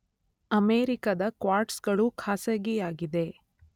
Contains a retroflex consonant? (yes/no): yes